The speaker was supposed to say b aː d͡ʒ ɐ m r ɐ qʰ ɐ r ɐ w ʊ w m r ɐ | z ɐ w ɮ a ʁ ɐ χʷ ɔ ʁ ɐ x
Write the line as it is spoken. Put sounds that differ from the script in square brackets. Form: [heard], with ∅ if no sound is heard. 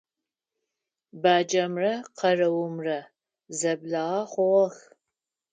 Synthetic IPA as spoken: b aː d͡ʒ ɐ m r ɐ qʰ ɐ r ɐ w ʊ [∅] m r ɐ | z ɐ [b] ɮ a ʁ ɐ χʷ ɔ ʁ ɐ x